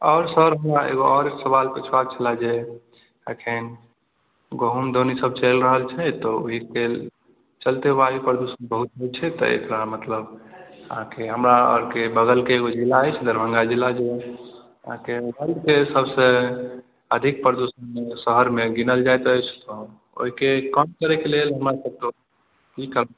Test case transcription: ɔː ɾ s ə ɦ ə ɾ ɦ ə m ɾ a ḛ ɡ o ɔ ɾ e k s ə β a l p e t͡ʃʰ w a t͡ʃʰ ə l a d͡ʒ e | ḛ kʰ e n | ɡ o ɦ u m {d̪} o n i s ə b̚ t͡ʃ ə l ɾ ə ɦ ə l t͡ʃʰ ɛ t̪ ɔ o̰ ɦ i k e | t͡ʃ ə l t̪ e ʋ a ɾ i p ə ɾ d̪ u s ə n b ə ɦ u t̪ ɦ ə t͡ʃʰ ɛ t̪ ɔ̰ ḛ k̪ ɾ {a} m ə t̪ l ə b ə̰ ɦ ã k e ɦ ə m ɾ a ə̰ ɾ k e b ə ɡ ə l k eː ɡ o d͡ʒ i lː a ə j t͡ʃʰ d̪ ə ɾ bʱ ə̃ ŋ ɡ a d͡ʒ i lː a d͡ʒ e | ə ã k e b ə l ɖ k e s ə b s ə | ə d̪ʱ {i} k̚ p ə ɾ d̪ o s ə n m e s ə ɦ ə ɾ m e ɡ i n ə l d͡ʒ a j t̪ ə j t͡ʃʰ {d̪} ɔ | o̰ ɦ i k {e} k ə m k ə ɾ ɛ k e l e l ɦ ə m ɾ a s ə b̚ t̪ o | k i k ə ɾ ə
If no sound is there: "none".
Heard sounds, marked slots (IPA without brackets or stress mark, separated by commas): d̪, a, i, t̪, e